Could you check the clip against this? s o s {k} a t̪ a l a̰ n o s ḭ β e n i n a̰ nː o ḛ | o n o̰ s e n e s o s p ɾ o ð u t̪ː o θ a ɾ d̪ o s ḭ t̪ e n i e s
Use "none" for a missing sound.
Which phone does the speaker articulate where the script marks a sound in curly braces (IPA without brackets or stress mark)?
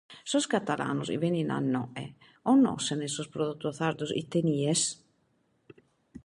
k